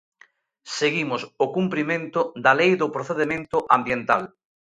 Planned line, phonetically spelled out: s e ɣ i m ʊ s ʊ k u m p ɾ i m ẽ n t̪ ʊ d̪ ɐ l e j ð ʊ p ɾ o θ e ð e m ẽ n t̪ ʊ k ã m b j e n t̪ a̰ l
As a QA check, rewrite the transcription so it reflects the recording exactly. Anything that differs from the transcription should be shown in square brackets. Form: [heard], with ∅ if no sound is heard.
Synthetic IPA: s e ɣ i m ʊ s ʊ k u m p ɾ i m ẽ n t̪ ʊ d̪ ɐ l e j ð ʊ p ɾ o θ e ð e m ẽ n t̪ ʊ [ʔ] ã m b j e n t̪ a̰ l